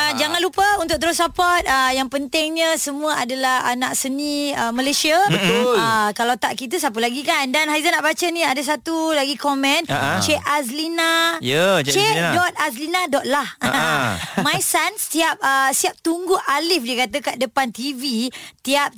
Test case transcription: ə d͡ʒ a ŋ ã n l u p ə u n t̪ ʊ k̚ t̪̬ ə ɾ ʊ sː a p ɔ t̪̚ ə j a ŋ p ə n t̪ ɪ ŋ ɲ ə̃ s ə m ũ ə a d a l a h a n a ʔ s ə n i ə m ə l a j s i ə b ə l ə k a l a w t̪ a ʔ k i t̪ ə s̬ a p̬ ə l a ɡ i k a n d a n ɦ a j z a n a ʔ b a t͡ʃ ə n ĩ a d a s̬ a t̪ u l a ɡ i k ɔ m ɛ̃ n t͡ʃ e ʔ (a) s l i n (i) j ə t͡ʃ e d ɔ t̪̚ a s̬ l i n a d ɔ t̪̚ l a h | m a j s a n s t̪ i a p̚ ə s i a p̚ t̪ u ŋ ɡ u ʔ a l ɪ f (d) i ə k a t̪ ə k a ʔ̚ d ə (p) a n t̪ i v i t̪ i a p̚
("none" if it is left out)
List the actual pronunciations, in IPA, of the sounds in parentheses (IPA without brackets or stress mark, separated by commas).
a, a, d, p